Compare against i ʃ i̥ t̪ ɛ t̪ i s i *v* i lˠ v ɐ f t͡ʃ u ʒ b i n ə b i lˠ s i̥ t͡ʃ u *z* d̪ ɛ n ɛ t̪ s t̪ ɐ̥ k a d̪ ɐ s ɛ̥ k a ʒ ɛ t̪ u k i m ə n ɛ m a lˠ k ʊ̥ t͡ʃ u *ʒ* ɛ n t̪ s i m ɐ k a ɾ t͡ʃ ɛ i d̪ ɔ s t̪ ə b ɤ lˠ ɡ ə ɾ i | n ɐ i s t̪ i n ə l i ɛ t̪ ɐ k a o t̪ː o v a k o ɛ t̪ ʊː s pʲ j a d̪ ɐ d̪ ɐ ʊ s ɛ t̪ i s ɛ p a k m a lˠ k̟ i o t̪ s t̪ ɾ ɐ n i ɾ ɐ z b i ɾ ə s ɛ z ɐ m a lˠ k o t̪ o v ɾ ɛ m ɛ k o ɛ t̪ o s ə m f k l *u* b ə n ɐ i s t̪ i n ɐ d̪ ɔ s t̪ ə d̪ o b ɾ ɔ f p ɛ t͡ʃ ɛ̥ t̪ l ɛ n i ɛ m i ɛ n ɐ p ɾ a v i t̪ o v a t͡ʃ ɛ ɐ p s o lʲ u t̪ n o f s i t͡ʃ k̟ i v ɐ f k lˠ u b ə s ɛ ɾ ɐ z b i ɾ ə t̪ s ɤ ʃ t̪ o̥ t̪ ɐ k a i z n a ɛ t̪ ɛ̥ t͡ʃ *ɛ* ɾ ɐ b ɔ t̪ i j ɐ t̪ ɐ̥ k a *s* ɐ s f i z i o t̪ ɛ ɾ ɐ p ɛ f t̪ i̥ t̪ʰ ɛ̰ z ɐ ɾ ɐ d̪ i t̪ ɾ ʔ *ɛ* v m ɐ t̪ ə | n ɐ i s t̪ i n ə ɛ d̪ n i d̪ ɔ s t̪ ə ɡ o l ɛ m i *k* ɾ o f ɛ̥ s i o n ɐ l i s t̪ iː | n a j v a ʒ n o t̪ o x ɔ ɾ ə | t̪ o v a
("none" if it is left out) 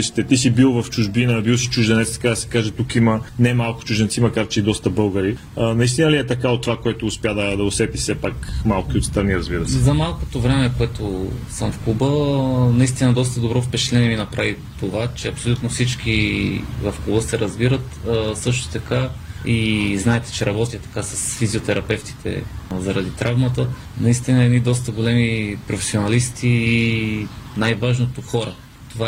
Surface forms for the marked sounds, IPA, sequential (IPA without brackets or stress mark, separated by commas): b, ʒ, ʒ, u, ɛ, s, a, p